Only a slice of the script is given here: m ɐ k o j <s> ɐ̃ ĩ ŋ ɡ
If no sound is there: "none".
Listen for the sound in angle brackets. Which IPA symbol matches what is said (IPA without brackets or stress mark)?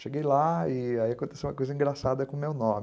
z